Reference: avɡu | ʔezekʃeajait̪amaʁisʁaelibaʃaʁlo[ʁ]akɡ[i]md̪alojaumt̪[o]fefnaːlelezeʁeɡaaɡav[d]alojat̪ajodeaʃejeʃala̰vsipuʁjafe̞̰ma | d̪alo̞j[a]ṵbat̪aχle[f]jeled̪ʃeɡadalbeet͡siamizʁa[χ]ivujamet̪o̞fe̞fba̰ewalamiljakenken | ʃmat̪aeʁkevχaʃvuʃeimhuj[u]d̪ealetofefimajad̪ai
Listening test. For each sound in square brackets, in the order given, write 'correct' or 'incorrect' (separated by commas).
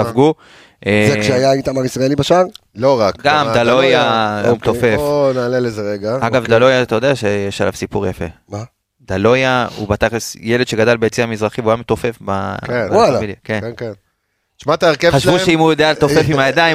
correct, incorrect, correct, correct, correct, incorrect, correct, incorrect